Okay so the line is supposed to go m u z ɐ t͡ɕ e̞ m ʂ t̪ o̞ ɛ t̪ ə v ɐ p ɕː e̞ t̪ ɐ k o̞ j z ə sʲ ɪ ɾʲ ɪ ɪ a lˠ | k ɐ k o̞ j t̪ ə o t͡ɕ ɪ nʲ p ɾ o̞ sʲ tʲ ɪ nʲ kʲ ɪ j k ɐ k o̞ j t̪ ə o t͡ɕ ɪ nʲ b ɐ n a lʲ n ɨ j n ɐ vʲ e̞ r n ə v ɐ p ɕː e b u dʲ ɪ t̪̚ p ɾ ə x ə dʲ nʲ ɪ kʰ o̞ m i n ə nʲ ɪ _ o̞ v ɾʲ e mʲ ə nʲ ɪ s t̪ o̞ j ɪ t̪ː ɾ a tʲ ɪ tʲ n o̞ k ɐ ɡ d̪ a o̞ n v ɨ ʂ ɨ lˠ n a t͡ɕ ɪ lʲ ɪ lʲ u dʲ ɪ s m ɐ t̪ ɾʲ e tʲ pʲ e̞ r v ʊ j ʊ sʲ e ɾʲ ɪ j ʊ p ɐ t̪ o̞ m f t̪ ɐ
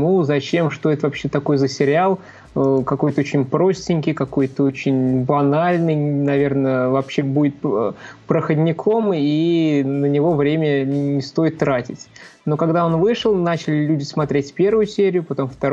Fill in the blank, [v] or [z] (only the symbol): v